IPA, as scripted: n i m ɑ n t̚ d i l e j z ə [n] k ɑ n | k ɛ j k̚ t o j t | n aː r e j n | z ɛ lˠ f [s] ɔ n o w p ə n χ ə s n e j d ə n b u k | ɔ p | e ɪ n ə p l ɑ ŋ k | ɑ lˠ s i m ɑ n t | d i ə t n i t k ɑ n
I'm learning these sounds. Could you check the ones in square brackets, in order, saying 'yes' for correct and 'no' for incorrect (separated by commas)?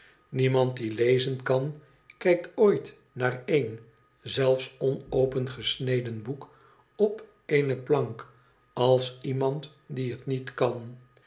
yes, yes